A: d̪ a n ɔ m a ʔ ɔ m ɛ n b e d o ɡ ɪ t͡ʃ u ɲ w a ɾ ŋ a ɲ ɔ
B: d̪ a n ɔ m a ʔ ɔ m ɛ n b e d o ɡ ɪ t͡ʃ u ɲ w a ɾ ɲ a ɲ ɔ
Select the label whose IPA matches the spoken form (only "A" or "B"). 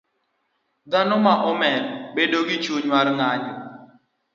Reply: A